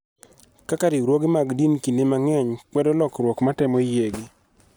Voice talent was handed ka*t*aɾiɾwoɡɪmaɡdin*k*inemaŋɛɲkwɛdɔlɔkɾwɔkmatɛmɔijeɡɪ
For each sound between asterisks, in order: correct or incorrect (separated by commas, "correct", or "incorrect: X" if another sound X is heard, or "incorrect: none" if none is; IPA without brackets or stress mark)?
incorrect: k, correct